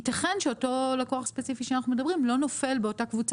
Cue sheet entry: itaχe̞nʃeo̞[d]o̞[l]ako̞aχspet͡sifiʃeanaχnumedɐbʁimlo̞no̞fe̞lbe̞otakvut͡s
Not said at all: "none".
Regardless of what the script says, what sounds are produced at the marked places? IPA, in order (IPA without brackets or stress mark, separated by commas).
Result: t, l